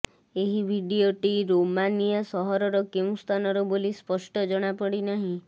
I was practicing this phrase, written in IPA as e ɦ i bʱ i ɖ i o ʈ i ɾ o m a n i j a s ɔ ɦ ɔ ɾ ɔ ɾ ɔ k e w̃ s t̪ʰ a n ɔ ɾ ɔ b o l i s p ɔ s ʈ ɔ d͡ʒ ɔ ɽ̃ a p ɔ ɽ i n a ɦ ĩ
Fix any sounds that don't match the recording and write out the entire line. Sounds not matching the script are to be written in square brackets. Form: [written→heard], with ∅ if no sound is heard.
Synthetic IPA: e ɦ i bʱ i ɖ i o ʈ i ɾ o m a n i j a s ɔ ɦ ɔ ɾ ɔ ɾ ɔ k e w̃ s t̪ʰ a n ɔ ɾ ɔ b o l i s p ɔ s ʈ ɔ d͡ʒ ɔ ɽ̃ a p ɔ ɽ i n a ɦ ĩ